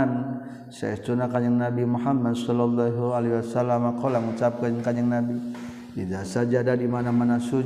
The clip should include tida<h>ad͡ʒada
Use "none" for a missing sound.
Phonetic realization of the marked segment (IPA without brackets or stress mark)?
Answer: s